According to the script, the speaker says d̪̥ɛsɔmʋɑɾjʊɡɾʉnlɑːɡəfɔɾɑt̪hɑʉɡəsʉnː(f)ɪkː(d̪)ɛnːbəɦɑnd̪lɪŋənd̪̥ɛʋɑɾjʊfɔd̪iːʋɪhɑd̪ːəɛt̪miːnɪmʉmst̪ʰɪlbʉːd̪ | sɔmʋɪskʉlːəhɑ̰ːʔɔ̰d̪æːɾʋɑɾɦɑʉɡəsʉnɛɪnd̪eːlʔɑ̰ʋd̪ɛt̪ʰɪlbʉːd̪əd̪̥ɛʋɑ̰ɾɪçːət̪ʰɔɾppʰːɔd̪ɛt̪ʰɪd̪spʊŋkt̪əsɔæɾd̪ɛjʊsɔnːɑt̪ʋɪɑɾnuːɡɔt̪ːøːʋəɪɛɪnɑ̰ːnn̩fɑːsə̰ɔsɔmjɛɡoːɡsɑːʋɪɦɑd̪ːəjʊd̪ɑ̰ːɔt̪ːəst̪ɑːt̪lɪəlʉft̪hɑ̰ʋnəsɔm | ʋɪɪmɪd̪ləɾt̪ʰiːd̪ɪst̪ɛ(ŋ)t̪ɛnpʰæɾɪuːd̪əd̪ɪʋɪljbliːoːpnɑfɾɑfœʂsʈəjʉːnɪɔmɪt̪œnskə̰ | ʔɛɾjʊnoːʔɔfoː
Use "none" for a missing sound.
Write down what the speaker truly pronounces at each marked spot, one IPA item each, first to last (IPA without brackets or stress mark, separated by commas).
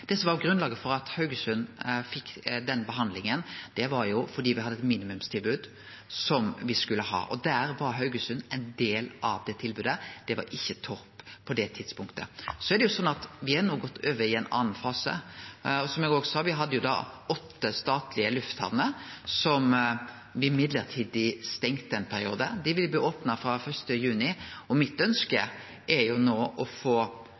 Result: f, d̪, ŋ